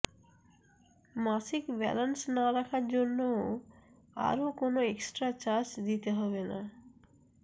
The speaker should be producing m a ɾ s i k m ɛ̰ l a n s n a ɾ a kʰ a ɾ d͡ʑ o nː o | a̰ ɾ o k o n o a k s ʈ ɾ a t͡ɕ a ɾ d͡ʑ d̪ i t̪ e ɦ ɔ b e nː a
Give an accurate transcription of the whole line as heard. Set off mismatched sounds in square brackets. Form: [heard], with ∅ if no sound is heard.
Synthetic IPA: m a [∅] s i k [b] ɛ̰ l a n s n a ɾ a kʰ a ɾ d͡ʑ o nː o | a̰ ɾ o k o n o [e] k s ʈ ɾ a t͡ɕ a ɾ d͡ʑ d̪ i t̪ e ɦ ɔ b e [n] a